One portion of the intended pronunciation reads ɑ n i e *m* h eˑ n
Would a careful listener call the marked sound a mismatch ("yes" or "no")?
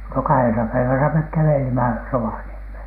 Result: no